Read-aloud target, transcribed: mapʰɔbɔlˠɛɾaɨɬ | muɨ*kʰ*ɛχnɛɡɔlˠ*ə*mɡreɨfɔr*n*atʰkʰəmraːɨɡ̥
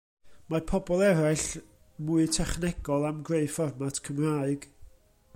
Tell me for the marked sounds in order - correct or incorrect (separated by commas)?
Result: incorrect, incorrect, incorrect